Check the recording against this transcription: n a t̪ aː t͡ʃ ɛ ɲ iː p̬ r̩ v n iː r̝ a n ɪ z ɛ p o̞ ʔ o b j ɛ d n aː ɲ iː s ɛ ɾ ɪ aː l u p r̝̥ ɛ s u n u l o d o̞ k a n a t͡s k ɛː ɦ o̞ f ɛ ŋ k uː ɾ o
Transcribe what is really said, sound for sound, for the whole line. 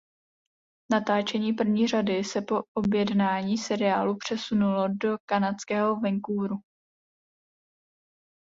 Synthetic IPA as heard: n a t̪ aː t͡ʃ ɛ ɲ iː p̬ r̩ v ɲ iː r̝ a d ɪ s ɛ p o̞ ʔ o b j ɛ d n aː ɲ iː s ɛ ɾ ɪ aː l u p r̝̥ ɛ s u n u l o d o̞ k a n a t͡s k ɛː ɦ o̞ v ɛ ŋ k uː ɾ u

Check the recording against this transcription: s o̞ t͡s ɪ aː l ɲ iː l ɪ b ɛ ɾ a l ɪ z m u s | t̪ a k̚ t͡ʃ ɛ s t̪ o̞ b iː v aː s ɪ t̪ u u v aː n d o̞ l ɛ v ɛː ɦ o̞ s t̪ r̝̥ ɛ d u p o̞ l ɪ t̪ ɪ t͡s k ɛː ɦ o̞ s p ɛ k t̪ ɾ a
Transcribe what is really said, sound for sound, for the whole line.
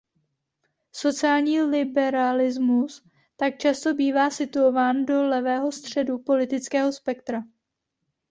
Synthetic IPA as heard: s o̞ t͡s ɪ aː l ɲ iː l ɪ b ɛ ɾ a l ɪ z m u s | t̪ a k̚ t͡ʃ a s t̪ o̞ b iː v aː s ɪ t̪ u o v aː n d o̞ l ɛ v ɛː ɦ o̞ s t̪ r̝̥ ɛ d u p o̞ l ɪ t̪ ɪ t͡s k ɛː ɦ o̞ s p ɛ k t̪ ɾ a

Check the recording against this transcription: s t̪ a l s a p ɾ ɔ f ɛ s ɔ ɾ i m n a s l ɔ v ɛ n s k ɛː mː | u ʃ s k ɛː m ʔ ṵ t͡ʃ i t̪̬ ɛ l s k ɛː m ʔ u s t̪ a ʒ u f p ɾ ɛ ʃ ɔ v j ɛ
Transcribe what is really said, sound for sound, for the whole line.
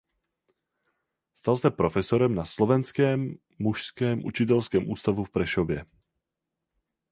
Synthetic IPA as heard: s t̪ a l s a p ɾ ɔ f ɛ s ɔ ɾ ɛ m n a s l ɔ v ɛ n s k ɛː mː | u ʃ s k ɛː m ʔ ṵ t͡ʃ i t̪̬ ɛ l s k ɛː m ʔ uː s t̪ a v u f p ɾ ɛ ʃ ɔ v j ɛ

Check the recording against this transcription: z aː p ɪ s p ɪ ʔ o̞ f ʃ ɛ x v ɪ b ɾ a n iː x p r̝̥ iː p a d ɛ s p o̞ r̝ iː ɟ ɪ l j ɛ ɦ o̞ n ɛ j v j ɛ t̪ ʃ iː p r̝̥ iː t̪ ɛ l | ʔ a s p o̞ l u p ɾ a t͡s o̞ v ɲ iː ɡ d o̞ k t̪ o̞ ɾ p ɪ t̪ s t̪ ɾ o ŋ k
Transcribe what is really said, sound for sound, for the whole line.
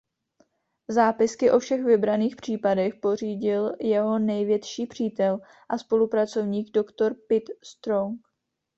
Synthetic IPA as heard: z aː p ɪ s k ɪ ʔ o̞ f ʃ ɛ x v ɪ b ɾ a n iː x p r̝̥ iː p a d ɛ x p o̞ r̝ iː ɟ ɪ l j ɛ ɦ o̞ n ɛ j v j ɛ t̪ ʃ iː p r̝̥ iː t̪ ɛ l | ʔ a s p o̞ l u p ɾ a t͡s o̞ v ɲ iː ɡ d o̞ k t̪ o̞ ɾ p ɪ t̪ s t̪ ɾ o ŋ k

